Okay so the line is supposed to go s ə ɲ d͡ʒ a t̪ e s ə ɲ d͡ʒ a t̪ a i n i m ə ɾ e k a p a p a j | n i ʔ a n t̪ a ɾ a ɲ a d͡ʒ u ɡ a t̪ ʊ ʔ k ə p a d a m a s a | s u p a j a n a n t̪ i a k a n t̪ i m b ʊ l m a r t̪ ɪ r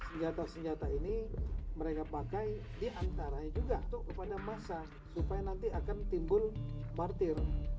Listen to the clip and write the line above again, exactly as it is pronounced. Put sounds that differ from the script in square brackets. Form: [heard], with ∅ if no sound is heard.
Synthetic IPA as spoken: s ə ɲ d͡ʒ a t̪ [a] s ə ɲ d͡ʒ a t̪ a i n i m ə ɾ e k a p a [k] a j | [d] i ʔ a n t̪ a ɾ a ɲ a d͡ʒ u ɡ a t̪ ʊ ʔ k ə p a d a m a s a | s u p a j a n a n t̪ i a k a n t̪ i m b ʊ l m a r t̪ ɪ r